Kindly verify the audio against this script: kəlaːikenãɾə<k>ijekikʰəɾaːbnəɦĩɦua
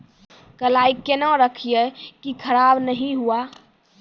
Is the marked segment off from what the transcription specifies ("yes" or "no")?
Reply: yes